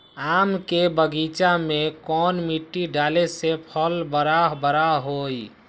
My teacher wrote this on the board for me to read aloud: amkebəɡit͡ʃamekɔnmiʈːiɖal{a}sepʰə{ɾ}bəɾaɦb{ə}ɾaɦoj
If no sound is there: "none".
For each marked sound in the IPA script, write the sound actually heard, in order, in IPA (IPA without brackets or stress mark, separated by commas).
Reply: e, l, ə